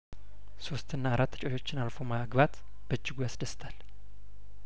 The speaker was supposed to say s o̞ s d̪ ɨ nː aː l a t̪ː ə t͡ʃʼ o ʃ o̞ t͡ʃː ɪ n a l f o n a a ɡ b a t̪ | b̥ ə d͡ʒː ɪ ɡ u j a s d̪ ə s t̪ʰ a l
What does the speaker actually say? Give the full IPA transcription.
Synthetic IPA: s o̞ s t̪ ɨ nː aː ɾ a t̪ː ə t͡ʃʼ o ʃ o̞ t͡ʃː ɪ n a l f o m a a ɡ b a t̪ | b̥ ə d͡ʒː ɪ ɡ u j a s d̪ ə s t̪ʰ a l